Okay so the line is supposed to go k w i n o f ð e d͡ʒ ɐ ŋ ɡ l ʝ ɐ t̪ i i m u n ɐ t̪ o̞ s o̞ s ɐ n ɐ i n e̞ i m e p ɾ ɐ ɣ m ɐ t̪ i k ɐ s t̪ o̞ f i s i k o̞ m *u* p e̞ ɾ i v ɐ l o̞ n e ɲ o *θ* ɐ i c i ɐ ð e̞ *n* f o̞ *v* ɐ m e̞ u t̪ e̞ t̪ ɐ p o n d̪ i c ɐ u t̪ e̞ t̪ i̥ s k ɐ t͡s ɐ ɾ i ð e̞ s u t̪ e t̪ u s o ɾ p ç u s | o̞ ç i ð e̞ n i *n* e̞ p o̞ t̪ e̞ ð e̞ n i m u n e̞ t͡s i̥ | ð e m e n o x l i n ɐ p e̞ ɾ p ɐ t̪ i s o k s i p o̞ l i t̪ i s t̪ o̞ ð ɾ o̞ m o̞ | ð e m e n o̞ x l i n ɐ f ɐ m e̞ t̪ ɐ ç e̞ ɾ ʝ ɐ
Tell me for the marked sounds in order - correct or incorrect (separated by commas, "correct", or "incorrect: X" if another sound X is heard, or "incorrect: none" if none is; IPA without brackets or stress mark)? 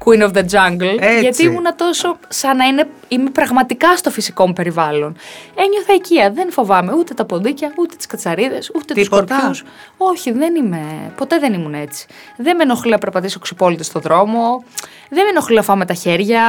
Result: correct, correct, correct, correct, incorrect: m